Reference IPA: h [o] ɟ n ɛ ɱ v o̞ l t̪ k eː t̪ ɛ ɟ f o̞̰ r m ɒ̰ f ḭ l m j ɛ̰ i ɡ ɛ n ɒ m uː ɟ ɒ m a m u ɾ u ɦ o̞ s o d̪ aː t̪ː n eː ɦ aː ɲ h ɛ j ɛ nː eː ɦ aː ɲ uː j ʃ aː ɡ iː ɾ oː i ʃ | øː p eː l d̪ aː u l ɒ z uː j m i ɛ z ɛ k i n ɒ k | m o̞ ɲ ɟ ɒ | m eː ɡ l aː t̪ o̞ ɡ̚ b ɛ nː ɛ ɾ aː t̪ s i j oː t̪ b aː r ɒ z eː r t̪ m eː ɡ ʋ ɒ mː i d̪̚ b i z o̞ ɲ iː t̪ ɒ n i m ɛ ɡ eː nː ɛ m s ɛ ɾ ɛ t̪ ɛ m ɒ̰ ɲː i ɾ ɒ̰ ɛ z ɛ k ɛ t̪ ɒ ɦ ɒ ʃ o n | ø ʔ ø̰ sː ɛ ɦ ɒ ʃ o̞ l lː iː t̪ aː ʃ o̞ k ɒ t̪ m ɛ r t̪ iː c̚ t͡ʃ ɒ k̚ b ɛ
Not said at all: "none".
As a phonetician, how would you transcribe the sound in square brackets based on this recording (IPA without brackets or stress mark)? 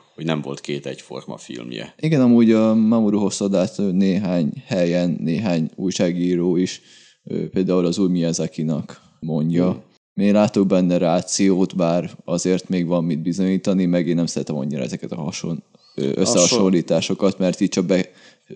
o